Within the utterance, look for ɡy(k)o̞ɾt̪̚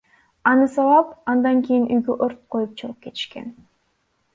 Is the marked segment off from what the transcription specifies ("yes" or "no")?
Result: yes